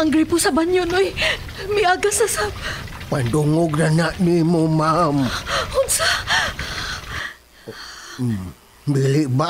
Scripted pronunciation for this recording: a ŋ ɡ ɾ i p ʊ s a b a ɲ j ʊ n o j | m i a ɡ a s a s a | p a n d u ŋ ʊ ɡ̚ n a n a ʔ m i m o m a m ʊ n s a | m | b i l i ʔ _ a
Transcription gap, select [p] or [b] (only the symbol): b